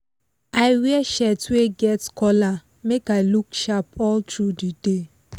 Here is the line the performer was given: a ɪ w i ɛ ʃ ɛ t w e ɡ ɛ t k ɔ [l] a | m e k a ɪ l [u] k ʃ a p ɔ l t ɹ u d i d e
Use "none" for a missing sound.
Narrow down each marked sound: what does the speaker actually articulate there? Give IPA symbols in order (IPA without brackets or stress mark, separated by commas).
l, u